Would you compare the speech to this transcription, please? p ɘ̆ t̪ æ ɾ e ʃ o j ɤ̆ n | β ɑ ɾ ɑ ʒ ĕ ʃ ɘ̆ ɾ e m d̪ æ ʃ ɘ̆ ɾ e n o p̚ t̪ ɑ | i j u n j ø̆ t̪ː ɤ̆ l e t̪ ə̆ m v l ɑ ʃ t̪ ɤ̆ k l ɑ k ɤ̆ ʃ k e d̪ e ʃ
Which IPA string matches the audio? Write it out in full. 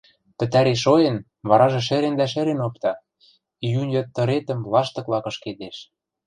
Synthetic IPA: p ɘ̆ t̪ æ ɾ e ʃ o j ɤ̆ n | β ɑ ɾ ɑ ʒ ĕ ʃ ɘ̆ ɾ e n d̪ æ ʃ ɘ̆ ɾ e n o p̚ t̪ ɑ | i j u n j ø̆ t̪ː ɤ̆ ɾ e t̪ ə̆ m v l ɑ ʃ t̪ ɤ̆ k l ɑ k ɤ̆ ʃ k e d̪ e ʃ